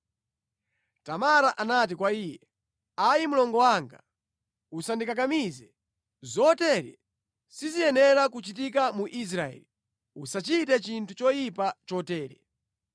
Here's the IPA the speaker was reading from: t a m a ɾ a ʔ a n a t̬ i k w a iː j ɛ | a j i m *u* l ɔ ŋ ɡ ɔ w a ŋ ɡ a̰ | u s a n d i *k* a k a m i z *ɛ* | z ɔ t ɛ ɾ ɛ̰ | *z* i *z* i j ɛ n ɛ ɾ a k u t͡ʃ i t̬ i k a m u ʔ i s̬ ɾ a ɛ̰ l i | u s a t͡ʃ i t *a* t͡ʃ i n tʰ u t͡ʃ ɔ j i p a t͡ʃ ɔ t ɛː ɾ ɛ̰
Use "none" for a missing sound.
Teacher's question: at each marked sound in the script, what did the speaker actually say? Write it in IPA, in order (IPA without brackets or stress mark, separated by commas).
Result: u, k, ɛ, s, z, ɛ